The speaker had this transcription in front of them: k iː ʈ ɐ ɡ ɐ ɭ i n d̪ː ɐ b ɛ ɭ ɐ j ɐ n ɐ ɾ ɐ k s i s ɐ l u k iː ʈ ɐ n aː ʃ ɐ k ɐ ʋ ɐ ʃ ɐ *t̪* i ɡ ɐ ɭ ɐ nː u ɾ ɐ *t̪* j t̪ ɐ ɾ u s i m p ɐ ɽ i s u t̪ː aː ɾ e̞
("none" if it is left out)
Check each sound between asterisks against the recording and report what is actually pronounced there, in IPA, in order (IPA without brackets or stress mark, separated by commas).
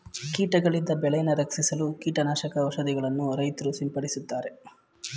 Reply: d̪, none